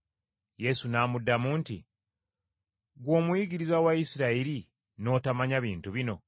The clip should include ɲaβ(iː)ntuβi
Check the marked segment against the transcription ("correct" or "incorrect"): correct